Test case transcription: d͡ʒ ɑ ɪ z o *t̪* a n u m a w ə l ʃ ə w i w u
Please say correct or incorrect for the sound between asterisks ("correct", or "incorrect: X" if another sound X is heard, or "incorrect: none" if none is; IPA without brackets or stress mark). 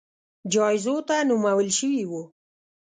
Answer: correct